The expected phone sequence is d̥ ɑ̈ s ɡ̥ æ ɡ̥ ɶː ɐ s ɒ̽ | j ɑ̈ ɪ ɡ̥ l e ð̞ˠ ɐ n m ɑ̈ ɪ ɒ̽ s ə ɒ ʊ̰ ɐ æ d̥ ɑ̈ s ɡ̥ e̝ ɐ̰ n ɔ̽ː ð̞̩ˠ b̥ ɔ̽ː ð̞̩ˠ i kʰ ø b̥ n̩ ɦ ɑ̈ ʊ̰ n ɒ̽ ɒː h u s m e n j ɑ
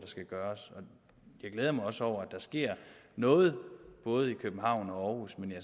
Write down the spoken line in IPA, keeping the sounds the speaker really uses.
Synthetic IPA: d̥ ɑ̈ s ɡ̥ æ ɡ̥ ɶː ɐ s ɒ̽ | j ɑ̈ ɪ ɡ̥ l e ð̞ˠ ɐ m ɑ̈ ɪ ɒ̽ s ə ɒ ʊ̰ ɐ æ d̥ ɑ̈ s ɡ̥ e̝ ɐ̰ n ɔ̽ː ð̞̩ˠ b̥ ɔ̽ː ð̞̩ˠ i kʰ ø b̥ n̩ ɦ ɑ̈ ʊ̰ n ɒ̽ ɒː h u s m e n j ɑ